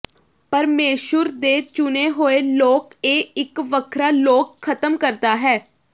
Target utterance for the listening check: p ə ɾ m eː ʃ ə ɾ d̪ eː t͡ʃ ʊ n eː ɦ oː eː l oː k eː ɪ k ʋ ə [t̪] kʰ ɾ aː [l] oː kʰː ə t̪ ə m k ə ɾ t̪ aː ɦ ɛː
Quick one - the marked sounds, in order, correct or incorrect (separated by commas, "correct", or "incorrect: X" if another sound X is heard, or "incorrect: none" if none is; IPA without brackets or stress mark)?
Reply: incorrect: none, correct